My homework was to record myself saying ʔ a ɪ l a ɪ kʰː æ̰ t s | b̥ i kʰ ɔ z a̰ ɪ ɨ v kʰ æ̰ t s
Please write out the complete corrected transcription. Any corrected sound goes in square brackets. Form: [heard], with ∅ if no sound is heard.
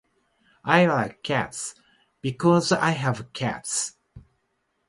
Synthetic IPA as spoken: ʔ a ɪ l a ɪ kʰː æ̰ t s | b̥ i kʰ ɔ z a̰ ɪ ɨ v kʰ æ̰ t s